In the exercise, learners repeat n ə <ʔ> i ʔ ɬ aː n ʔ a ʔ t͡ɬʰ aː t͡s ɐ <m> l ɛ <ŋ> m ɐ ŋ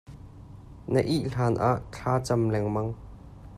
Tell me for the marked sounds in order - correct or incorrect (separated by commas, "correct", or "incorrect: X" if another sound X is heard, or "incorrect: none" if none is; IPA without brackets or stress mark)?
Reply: correct, correct, correct